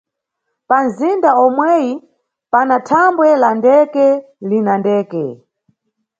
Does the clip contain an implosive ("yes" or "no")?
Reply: no